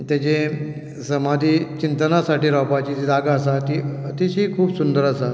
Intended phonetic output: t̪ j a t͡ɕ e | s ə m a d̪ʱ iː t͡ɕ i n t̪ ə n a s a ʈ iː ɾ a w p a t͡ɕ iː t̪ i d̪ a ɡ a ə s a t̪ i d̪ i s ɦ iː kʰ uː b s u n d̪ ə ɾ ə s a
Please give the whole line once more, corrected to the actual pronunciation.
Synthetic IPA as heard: t̪ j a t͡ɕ e | s ə m a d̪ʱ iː t͡ɕ i n t̪ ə n a s a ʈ iː ɾ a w p a t͡ɕ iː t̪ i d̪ a ɡ a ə s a t̪ i t̪ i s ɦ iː kʰ uː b s u n d̪ ə ɾ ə s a